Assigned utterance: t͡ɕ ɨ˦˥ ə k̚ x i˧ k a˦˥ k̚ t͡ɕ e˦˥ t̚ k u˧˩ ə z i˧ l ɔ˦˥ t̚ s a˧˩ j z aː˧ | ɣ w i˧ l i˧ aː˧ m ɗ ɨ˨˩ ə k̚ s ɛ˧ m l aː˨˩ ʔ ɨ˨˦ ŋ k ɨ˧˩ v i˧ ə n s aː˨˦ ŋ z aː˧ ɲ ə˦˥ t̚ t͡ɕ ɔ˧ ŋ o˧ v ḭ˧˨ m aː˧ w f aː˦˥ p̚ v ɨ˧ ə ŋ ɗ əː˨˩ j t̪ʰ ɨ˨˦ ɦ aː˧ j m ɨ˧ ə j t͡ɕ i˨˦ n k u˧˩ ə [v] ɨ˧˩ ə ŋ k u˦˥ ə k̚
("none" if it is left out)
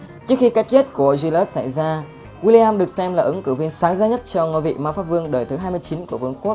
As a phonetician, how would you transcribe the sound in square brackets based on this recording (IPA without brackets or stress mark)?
v